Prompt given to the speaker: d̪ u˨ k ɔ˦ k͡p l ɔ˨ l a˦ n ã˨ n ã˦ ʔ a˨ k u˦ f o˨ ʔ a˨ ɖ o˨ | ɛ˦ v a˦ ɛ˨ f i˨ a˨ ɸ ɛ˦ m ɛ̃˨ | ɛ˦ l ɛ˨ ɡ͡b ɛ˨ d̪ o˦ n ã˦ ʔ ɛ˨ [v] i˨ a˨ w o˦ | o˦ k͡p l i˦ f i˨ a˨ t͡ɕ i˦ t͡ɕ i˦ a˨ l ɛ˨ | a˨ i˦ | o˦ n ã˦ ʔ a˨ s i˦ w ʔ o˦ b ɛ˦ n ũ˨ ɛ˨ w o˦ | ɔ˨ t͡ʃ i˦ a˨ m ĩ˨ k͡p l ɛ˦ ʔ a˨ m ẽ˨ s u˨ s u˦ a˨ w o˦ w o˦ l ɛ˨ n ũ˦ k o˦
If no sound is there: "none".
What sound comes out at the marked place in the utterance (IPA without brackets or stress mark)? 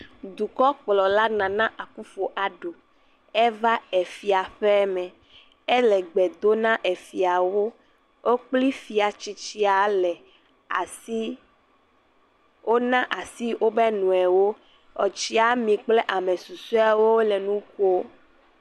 f